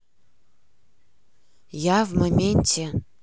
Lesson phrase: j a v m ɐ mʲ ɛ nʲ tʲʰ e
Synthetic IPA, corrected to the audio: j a v m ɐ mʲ e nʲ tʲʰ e